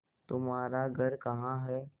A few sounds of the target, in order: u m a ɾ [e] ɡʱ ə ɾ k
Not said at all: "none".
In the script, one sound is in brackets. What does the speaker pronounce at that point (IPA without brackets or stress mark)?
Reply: a